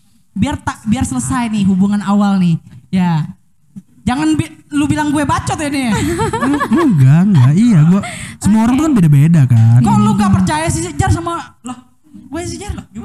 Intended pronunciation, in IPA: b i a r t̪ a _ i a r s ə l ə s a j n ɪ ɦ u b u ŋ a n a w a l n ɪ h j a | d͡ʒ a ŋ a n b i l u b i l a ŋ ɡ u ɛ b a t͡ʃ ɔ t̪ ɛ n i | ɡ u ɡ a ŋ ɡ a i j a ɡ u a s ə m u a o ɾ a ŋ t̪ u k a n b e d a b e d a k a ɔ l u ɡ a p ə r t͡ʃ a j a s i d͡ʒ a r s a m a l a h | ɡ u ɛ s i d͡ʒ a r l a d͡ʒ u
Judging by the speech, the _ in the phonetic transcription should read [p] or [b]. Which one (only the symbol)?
b